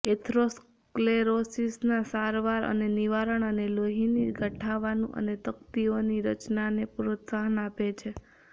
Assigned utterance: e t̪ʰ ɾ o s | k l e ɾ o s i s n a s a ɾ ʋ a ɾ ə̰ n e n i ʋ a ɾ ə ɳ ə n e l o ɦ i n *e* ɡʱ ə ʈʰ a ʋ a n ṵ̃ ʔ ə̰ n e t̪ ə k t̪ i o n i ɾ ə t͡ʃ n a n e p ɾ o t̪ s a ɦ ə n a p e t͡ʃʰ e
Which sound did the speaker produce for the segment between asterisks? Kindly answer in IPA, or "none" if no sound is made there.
i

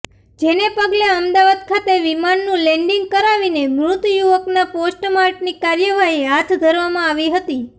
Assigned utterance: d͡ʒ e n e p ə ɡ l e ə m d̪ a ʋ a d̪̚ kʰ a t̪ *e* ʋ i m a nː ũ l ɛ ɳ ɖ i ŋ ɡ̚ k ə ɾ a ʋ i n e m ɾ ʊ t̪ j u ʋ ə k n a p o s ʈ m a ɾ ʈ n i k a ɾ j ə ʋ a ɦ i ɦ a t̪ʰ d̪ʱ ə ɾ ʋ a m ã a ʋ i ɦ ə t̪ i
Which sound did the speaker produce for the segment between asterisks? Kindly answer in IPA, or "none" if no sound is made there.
e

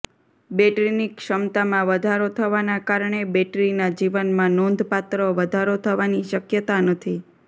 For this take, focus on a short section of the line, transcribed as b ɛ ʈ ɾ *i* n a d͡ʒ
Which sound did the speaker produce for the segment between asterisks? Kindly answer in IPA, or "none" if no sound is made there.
i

